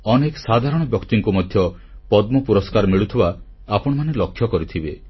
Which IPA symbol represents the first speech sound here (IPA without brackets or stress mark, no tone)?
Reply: ɔ